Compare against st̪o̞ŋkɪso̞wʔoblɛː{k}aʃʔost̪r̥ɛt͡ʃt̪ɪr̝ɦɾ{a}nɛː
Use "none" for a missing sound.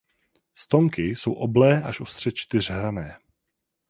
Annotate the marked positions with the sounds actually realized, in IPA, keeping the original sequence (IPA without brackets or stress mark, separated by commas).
ʔ, a